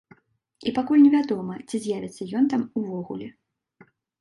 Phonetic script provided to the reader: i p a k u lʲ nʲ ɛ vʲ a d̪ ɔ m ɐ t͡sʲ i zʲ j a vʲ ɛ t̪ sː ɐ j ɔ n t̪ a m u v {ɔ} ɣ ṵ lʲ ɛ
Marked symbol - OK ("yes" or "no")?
yes